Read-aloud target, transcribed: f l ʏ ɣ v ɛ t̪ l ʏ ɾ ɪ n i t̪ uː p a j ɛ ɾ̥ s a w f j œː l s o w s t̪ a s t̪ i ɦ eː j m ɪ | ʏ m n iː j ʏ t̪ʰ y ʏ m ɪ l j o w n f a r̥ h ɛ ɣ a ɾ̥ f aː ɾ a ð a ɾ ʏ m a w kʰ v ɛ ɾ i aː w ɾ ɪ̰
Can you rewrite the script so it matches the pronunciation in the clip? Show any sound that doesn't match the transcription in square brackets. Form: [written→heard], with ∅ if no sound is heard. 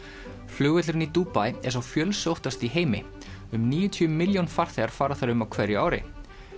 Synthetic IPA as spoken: f l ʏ ɣ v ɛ t̪ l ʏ ɾ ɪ n i t̪ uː p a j ɛ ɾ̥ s a w f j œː l s o w [s→h] t̪ a s t̪ i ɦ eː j m ɪ | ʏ m n iː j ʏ t̪ʰ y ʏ m ɪ l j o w n f a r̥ [h→θ] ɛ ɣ a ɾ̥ f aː ɾ a [ð→θ] a ɾ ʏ m a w kʰ v ɛ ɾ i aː w ɾ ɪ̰